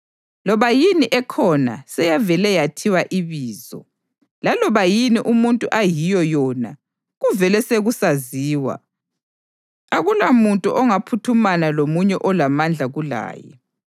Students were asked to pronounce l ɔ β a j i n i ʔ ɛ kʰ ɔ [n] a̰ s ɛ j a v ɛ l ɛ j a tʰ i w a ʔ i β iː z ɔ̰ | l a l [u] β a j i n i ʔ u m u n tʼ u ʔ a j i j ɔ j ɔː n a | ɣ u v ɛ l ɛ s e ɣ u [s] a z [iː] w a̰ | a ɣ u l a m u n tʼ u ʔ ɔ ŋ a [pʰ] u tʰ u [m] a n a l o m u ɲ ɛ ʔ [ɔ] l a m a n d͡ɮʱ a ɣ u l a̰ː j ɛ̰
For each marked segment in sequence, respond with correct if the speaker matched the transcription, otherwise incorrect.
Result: correct, incorrect, correct, correct, correct, correct, correct

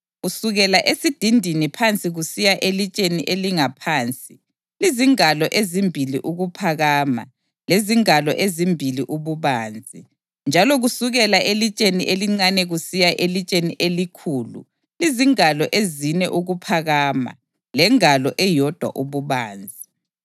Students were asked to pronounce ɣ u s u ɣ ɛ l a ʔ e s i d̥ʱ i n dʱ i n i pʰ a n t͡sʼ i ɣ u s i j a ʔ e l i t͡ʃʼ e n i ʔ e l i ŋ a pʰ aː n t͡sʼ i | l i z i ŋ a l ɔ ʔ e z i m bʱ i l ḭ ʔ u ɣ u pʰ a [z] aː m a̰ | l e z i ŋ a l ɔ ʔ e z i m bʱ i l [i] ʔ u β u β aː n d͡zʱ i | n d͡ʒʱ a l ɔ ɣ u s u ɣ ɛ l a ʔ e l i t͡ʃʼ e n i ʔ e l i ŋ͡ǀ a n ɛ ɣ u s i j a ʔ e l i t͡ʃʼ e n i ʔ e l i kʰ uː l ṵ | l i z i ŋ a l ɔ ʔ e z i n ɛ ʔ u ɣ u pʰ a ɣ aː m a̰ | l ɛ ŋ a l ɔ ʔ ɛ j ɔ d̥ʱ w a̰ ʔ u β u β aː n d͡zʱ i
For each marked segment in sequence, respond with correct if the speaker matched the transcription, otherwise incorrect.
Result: incorrect, correct

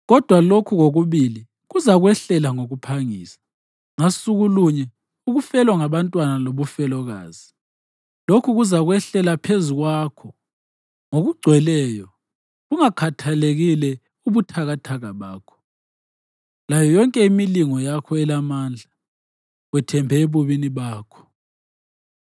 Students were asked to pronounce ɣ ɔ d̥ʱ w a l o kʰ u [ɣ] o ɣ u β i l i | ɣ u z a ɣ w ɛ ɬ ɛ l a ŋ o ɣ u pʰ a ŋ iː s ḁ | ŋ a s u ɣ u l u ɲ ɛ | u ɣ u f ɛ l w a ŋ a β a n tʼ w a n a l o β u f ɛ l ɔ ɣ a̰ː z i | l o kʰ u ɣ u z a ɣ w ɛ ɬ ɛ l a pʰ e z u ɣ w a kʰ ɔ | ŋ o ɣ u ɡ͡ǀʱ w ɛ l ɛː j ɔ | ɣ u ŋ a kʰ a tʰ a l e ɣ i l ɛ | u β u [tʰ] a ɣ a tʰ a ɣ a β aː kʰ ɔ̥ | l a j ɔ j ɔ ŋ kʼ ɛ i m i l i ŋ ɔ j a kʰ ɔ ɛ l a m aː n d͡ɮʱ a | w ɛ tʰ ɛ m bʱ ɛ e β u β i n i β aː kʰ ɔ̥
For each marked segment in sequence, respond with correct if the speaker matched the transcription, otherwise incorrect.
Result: correct, correct

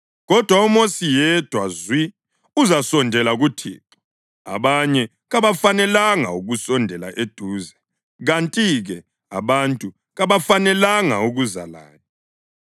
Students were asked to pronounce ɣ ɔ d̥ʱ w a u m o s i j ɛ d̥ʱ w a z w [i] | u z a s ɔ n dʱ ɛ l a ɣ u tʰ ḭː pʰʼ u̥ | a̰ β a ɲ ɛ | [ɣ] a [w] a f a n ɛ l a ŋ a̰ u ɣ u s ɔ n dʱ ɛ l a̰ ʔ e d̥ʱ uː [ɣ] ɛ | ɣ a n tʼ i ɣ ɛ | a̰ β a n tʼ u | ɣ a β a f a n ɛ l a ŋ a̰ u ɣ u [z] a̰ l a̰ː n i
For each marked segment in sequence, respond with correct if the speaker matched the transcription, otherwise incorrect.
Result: correct, correct, incorrect, incorrect, correct

